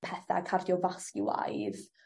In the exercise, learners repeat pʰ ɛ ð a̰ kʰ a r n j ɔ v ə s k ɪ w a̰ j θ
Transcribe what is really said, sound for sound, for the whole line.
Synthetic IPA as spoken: pʰ ɛ θ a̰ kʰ a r d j ɔ v a s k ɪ w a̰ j ð

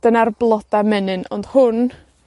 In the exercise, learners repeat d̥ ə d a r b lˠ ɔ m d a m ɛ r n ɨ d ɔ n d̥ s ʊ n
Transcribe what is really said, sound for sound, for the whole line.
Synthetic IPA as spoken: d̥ ə n a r b lˠ ɔ d a m ɛ n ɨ n ɔ n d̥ h ʊ n

